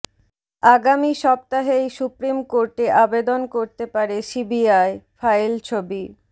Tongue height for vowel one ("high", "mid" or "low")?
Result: low